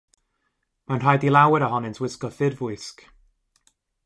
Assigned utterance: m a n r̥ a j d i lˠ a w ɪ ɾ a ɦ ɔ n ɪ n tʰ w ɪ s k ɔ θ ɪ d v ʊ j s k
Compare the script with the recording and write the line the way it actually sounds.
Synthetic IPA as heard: m a n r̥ a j d i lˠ a w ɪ ɾ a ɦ ɔ n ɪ n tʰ w ɪ s k ɔ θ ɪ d v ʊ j s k